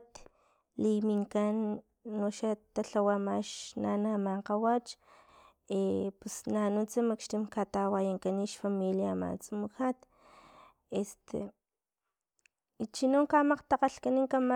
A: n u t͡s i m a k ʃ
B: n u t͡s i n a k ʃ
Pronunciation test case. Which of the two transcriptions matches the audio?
A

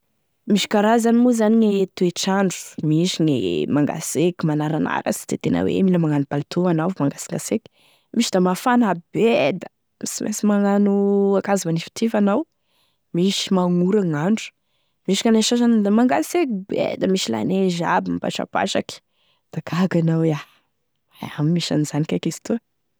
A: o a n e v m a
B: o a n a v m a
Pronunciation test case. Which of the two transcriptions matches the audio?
B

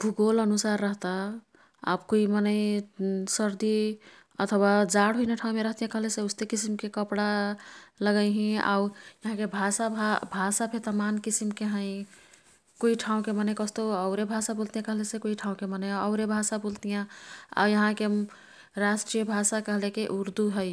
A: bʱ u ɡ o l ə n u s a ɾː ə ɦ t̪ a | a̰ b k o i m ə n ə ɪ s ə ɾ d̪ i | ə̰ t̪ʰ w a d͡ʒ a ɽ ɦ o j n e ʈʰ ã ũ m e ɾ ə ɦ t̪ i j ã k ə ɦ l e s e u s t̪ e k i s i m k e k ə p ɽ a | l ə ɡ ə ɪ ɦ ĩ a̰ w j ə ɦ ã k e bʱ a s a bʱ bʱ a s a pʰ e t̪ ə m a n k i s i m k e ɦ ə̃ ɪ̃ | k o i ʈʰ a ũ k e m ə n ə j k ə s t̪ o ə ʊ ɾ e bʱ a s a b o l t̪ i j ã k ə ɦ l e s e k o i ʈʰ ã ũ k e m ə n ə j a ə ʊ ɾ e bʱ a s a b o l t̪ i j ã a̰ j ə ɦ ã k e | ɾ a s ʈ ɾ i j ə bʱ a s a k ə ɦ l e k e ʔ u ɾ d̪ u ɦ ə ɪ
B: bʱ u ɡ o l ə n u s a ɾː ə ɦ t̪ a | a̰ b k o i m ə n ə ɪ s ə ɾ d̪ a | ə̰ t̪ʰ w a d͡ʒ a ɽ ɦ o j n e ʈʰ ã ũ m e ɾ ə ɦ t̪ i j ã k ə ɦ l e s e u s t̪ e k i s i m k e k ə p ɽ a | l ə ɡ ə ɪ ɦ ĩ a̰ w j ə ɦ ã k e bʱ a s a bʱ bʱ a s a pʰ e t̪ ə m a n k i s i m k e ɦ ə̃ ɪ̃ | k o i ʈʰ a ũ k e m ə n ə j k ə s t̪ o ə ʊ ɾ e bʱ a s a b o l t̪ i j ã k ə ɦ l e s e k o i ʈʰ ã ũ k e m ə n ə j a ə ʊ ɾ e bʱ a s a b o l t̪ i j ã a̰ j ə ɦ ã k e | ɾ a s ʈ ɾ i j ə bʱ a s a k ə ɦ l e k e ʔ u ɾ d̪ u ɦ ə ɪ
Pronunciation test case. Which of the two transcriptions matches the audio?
A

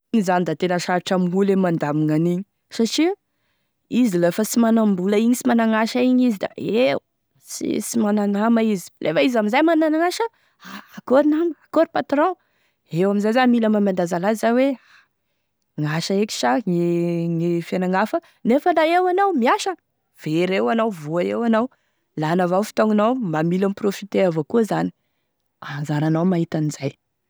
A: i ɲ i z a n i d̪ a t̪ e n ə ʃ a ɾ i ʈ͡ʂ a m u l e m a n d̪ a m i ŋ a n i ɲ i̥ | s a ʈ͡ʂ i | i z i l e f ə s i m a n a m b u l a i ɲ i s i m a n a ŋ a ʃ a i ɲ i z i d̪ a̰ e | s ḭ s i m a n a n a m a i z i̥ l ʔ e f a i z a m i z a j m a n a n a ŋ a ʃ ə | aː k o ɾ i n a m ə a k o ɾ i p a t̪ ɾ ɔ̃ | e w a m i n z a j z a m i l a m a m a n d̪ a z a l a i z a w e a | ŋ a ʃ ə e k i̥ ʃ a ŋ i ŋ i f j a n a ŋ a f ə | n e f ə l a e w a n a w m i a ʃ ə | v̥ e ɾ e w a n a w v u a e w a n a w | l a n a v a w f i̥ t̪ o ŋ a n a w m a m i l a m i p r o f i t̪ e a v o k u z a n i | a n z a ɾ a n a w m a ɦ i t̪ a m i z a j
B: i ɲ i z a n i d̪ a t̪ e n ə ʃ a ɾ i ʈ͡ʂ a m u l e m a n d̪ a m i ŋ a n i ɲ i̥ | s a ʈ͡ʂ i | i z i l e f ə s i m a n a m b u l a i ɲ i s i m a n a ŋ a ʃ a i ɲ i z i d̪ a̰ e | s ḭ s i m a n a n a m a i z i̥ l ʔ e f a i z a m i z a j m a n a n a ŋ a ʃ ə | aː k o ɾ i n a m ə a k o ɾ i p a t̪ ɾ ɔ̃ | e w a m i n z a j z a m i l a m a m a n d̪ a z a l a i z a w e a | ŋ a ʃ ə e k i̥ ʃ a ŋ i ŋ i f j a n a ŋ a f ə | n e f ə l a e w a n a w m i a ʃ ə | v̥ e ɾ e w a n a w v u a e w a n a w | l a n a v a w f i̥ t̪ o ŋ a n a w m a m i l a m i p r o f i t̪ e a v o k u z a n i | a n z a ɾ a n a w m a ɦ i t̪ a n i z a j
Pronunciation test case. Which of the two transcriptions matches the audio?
B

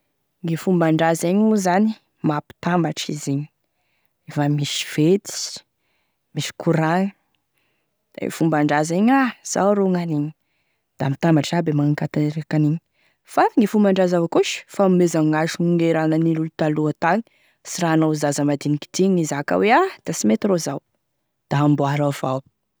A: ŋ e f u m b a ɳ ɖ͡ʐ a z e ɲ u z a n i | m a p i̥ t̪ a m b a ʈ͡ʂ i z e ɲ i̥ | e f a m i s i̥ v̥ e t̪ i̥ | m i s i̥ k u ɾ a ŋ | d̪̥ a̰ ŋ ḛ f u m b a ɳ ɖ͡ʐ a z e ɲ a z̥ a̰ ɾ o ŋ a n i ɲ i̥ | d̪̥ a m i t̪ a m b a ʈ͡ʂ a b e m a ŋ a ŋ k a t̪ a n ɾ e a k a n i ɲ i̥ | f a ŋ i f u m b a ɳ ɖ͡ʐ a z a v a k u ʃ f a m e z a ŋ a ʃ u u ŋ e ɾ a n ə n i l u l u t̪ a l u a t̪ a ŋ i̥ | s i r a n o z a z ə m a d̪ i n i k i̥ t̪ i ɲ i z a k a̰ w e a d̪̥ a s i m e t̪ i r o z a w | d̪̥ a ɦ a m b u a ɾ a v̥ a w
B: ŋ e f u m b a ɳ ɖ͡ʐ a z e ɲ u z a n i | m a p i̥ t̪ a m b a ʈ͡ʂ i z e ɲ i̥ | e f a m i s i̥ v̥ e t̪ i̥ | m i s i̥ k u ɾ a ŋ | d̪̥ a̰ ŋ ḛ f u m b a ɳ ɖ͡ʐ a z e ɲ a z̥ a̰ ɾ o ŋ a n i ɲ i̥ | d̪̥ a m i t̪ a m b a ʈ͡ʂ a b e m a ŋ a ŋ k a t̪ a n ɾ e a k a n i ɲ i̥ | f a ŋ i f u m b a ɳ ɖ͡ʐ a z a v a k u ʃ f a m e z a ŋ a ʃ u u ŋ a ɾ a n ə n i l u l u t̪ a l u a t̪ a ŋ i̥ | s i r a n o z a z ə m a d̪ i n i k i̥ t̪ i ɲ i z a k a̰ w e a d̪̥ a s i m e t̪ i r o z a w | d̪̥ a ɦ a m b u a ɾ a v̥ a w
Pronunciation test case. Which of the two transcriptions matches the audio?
A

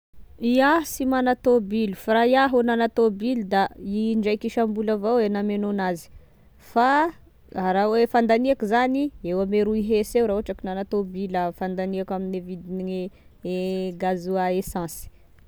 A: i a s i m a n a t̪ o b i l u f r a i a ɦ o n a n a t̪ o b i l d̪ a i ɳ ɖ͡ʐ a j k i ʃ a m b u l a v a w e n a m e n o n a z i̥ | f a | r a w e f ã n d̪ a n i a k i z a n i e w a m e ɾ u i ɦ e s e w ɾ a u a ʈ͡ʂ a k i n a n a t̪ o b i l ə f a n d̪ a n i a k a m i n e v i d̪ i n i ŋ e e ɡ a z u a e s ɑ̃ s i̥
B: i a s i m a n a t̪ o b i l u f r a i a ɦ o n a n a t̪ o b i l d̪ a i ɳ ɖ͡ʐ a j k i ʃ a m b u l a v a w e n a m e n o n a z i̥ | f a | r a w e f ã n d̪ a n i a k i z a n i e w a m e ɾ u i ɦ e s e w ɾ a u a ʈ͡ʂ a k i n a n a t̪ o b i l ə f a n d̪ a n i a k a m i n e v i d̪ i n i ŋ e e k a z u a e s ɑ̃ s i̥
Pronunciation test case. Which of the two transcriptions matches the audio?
A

